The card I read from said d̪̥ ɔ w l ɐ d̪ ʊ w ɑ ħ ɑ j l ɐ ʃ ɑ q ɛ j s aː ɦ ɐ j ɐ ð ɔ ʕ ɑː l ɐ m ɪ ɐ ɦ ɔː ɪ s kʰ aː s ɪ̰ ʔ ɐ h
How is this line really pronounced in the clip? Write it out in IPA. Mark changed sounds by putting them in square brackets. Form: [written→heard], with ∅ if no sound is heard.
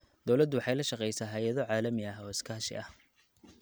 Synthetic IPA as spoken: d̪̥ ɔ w l ɐ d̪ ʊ w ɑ ħ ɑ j l ɐ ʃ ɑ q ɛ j s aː ɦ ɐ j ɐ ð ɔ ʕ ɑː l ɐ m ɪ ɐ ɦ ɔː ɪ s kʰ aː [s→ʃ] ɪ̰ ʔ ɐ h